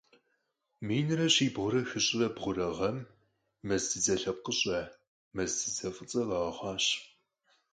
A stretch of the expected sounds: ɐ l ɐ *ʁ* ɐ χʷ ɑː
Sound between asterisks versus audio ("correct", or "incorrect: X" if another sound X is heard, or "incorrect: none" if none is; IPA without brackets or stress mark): correct